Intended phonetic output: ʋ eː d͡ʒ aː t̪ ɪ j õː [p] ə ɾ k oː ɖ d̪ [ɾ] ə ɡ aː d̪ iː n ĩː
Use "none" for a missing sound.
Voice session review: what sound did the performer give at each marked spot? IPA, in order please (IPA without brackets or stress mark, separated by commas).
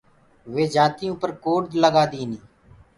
p, l